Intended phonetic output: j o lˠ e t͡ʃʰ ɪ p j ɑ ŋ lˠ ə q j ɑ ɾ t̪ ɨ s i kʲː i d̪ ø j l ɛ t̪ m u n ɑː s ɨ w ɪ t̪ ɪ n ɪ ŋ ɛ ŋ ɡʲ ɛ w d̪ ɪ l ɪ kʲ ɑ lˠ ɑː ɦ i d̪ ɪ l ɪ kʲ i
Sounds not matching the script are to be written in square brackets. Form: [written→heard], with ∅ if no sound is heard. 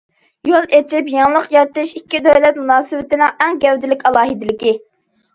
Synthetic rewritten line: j o lˠ e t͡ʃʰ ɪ p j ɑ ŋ lˠ ə q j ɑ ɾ t̪ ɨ [s→ʃ] i kʲː i d̪ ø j l ɛ t̪ m u n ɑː s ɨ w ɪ t̪ ɪ n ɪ ŋ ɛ ŋ ɡʲ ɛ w d̪ ɪ l ɪ kʲ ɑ lˠ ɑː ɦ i d̪ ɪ l ɪ kʲ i